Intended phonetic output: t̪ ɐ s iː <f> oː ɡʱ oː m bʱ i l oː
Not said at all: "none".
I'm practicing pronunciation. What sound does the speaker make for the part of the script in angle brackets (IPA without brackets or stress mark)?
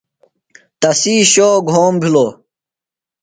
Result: ɕ